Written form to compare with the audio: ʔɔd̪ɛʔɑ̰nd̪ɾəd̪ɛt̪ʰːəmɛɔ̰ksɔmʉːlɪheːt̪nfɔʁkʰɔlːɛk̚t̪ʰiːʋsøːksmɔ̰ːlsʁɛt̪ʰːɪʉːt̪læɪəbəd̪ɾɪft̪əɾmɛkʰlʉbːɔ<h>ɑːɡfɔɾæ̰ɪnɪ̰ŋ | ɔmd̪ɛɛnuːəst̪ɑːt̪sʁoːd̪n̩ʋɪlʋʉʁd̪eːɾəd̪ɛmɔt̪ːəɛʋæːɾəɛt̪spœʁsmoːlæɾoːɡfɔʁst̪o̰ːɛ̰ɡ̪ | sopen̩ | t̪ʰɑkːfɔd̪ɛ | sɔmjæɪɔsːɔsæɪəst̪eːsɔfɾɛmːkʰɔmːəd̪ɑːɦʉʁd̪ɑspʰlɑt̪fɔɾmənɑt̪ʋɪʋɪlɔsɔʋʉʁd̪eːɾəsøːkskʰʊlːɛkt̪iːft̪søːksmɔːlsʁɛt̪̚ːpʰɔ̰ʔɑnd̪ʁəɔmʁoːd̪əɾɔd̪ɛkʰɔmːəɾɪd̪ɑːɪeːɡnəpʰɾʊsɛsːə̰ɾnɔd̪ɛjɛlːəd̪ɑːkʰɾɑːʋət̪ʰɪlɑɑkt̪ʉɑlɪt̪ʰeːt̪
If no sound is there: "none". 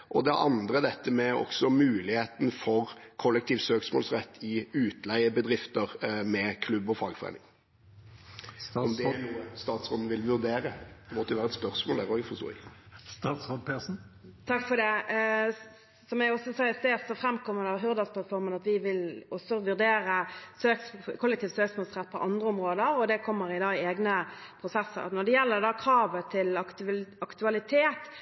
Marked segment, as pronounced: f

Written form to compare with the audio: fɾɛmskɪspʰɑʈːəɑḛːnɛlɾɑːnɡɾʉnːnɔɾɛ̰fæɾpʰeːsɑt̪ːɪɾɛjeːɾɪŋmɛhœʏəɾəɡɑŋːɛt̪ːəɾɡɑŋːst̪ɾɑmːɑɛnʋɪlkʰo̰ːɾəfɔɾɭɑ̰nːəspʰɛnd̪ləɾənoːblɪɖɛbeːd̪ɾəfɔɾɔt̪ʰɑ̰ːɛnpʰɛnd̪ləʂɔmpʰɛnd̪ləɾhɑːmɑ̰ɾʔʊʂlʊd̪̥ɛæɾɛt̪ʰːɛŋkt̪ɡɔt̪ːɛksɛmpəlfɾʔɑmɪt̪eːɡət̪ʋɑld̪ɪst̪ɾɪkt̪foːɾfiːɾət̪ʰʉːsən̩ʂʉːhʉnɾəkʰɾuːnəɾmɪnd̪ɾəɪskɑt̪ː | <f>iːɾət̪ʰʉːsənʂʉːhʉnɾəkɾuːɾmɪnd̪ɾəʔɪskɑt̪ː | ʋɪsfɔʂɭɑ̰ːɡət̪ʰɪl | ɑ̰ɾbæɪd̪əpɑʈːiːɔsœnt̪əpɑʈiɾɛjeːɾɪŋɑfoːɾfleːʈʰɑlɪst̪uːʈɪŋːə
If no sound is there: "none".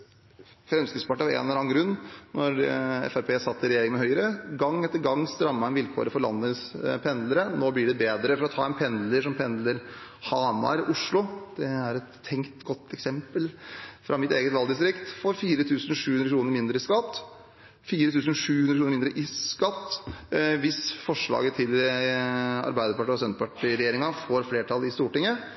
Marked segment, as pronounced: f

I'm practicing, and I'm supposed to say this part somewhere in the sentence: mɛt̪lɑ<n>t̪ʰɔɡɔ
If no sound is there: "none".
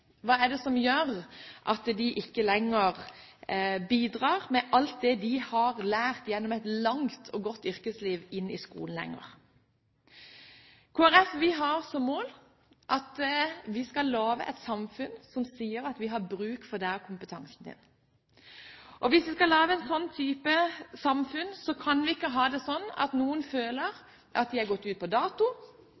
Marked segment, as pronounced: ŋ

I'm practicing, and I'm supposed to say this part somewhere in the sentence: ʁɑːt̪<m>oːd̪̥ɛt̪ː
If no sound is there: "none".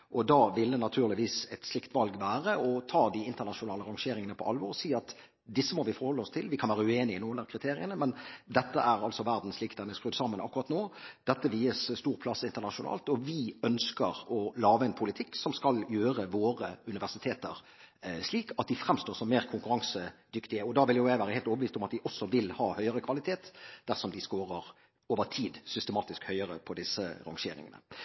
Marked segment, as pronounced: n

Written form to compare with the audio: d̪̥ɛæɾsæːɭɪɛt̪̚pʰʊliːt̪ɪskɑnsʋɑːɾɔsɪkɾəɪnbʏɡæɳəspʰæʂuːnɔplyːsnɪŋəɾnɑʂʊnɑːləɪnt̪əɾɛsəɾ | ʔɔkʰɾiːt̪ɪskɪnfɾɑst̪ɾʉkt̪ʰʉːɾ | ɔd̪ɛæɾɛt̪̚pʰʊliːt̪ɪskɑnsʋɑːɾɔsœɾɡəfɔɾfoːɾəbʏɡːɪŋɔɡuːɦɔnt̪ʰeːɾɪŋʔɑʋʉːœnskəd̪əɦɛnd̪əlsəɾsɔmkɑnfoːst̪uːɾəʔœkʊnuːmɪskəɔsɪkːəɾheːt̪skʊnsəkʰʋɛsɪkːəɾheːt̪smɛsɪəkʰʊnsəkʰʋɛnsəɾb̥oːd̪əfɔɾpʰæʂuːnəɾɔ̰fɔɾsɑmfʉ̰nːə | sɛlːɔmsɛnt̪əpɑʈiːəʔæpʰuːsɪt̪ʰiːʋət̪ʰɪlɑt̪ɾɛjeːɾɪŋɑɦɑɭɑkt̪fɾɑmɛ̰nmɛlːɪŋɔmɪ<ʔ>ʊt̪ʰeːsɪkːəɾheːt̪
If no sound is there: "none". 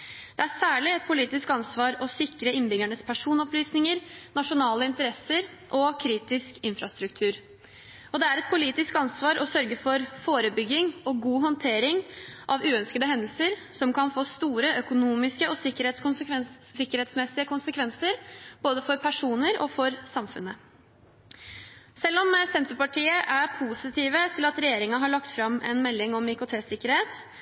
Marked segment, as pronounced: k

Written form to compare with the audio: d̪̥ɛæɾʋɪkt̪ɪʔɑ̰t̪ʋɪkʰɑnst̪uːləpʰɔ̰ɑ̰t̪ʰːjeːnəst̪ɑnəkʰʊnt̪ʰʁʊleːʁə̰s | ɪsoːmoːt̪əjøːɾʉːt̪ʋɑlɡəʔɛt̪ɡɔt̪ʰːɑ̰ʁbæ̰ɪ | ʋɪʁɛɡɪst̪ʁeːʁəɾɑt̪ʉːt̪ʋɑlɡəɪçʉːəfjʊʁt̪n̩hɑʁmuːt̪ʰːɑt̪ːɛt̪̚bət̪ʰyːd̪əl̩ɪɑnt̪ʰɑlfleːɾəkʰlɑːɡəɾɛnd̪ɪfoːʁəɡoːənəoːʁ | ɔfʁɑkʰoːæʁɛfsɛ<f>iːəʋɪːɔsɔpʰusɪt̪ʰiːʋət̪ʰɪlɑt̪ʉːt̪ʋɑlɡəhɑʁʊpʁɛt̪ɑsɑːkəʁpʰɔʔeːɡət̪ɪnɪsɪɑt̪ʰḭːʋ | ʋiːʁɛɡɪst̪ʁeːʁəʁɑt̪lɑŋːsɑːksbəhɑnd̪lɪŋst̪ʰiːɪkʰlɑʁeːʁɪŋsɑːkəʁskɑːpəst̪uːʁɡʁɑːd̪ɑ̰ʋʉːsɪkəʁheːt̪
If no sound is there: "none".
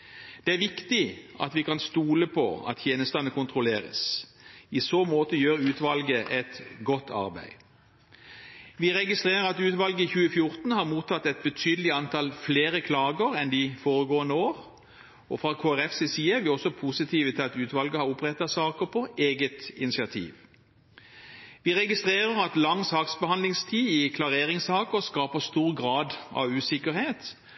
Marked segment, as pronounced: s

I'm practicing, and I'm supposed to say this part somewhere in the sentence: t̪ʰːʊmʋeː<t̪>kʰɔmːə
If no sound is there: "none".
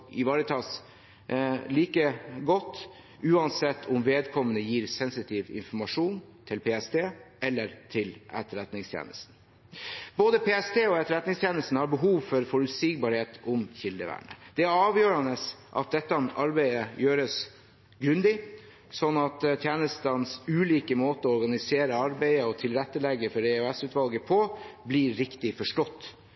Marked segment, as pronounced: d̪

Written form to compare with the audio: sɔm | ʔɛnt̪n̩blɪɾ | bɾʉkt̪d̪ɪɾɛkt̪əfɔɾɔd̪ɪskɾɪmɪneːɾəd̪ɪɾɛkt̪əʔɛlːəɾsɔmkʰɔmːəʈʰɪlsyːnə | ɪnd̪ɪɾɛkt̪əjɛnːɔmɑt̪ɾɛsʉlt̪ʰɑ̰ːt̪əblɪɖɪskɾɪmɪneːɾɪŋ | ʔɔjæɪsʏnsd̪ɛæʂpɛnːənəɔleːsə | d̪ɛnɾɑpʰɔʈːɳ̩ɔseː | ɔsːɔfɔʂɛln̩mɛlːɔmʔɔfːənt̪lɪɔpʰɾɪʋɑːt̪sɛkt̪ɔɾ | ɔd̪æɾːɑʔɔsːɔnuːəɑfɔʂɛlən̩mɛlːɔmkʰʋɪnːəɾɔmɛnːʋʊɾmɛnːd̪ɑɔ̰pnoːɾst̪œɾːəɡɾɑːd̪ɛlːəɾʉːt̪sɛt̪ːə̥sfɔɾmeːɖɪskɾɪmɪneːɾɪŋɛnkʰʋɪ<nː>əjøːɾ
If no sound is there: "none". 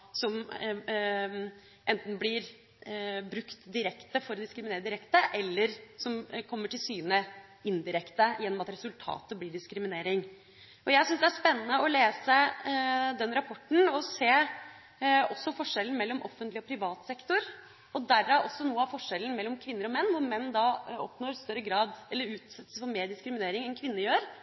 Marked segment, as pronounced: nː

